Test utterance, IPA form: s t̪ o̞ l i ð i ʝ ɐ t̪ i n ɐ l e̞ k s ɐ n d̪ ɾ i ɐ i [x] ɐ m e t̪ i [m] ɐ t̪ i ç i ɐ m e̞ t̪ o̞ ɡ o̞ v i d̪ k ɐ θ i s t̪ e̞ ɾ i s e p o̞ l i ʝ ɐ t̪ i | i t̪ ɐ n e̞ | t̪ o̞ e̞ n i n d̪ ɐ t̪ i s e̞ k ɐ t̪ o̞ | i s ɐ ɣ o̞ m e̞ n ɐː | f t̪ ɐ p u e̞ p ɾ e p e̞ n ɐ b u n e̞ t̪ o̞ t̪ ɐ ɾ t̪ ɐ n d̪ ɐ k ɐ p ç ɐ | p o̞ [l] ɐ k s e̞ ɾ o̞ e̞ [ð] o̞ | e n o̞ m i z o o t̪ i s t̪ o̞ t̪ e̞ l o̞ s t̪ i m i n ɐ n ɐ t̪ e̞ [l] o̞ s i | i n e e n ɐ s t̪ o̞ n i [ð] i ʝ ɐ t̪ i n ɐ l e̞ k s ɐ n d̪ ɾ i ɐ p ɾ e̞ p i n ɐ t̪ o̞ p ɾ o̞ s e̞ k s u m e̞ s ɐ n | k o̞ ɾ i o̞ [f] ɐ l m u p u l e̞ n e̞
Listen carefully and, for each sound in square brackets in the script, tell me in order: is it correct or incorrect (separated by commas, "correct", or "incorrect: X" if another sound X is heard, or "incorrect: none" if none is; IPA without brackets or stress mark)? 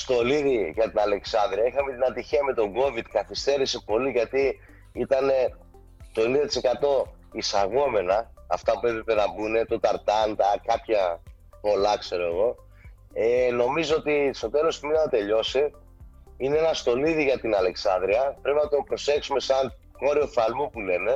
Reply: correct, incorrect: n, correct, incorrect: ɣ, incorrect: ʎ, correct, correct